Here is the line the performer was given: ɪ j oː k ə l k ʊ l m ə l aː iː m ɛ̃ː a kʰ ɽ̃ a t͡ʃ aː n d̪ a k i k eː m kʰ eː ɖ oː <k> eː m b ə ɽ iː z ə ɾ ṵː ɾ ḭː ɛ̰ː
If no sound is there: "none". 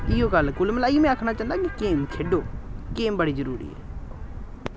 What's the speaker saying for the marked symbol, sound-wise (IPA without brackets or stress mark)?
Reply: k